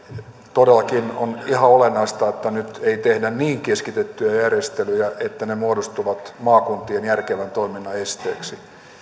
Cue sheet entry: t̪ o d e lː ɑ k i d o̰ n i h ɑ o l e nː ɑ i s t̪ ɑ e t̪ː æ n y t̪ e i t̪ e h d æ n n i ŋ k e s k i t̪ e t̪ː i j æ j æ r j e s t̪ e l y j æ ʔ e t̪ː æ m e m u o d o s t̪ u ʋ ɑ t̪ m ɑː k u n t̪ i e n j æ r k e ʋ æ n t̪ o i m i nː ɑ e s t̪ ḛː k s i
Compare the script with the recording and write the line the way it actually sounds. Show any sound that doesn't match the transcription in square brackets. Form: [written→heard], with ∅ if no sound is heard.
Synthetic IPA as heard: t̪ o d e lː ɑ k i [d→n] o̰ n i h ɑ o l e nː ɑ i s t̪ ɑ e t̪ː æ n y t̪ e i t̪ e h d æ n n [i→iː] ŋ k e s k i t̪ e t̪ː [i→y] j æ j æ r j e s t̪ e l y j æ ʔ e t̪ː æ [m→n] e m u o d o s t̪ u ʋ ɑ t̪ m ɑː k u n t̪ i e n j æ r k e ʋ æ n t̪ o i m i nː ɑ e s t̪ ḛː k s i